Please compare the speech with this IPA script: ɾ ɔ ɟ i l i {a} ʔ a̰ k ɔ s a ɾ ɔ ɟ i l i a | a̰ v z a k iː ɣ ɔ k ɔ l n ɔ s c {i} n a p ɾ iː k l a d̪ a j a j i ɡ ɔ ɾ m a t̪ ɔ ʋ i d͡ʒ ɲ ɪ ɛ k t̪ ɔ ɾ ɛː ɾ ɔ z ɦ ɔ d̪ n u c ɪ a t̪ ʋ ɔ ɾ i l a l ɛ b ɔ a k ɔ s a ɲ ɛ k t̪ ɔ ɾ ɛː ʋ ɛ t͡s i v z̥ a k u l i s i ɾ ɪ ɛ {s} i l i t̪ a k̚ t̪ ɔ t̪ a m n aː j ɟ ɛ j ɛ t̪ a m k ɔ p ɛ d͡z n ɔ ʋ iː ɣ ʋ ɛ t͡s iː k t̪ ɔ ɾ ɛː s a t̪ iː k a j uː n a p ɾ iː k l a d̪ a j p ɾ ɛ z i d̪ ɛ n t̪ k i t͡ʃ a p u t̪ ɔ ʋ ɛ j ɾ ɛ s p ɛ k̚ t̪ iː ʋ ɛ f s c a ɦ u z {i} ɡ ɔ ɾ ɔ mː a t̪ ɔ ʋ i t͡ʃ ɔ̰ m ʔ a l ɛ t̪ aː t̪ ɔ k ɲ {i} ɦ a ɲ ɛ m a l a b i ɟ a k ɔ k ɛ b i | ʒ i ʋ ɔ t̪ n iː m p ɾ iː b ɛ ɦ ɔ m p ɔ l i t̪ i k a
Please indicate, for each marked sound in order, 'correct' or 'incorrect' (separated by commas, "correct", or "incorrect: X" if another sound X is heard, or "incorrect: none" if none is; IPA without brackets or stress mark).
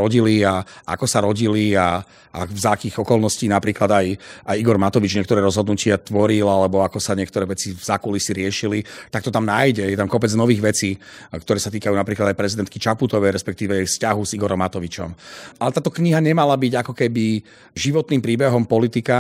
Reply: correct, incorrect: iː, incorrect: ʃ, correct, correct